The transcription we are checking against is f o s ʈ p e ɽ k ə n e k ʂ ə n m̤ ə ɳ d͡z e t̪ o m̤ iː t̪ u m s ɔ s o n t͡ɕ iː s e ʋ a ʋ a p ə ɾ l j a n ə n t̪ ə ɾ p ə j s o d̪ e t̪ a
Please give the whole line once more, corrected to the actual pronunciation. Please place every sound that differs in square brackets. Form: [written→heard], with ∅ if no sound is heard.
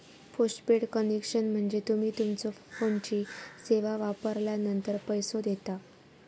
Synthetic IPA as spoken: f o s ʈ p e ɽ k ə n e k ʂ ə n m̤ ə ɳ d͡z e t̪ [o→u] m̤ iː t̪ u m [s→t͡s] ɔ [s→f] o n t͡ɕ iː s e ʋ a ʋ a p ə ɾ l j a n ə n t̪ ə ɾ p ə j s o d̪ e t̪ a